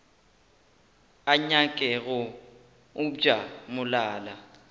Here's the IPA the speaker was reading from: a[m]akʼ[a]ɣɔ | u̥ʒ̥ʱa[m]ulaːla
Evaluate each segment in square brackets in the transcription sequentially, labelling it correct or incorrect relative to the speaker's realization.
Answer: incorrect: ɲ, incorrect: ɛ, correct

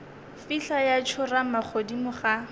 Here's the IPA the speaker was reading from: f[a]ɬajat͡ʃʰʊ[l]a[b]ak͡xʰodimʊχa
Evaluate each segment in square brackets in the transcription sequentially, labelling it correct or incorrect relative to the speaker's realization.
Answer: incorrect: i, incorrect: r, incorrect: m

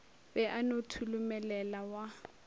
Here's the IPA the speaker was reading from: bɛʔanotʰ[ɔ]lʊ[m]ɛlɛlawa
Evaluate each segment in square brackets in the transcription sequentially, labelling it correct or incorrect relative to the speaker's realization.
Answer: incorrect: u, correct

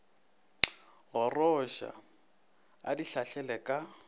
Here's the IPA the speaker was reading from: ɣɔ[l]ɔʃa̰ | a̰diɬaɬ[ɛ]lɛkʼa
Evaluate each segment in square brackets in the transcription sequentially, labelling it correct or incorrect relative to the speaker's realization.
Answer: incorrect: r, correct

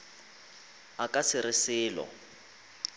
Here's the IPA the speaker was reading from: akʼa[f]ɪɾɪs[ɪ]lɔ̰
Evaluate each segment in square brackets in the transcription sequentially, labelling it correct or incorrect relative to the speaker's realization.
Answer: incorrect: s, incorrect: ɪː

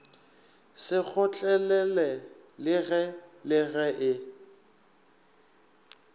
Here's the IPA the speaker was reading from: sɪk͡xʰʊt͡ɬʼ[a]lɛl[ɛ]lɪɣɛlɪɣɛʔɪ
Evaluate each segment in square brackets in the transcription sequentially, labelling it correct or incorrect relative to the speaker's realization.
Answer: incorrect: ɛ, correct

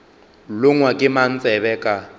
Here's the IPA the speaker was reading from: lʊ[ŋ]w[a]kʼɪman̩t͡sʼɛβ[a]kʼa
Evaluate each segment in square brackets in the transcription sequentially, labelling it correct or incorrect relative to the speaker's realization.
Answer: correct, correct, incorrect: ɛ

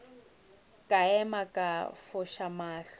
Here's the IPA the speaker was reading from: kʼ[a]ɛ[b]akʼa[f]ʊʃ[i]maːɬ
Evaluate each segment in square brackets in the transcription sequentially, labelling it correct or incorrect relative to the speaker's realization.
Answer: correct, incorrect: m, correct, incorrect: a

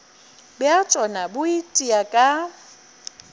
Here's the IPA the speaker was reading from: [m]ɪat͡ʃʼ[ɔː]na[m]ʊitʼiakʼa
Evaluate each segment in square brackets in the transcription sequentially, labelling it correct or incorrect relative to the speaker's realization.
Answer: incorrect: b, incorrect: ɔ, incorrect: b

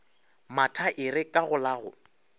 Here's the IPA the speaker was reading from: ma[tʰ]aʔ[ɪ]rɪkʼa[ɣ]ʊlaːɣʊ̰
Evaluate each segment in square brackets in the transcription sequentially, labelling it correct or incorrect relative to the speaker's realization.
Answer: correct, correct, correct

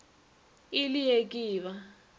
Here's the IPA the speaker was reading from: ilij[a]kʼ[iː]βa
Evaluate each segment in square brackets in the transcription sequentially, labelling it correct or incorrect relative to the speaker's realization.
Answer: incorrect: e, correct

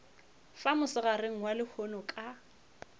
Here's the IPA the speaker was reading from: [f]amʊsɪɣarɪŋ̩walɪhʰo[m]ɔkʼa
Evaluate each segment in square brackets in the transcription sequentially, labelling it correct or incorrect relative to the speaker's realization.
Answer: correct, incorrect: n

